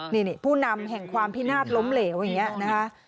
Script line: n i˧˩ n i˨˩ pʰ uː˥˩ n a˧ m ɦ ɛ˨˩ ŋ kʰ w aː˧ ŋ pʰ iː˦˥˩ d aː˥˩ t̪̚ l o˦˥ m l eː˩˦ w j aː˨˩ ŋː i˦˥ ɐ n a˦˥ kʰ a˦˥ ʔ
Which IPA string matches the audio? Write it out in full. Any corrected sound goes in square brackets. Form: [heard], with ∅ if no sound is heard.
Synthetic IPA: n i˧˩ n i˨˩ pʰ uː˥˩ n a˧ m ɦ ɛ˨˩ ŋ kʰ w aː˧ [m] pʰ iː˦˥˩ [n] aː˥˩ t̪̚ l o˦˥ m l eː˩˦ w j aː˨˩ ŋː i˦˥ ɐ n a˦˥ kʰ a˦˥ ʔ